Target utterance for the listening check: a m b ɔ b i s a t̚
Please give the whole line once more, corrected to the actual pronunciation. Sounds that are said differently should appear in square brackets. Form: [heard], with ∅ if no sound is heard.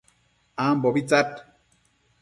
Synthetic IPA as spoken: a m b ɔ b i [t͡s] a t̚